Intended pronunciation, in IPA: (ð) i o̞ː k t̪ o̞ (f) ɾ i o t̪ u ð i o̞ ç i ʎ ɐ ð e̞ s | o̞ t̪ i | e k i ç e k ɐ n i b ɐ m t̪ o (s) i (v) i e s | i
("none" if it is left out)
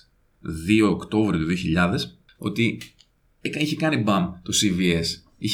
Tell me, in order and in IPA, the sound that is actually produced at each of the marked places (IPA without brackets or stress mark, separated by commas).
ð, v, s, v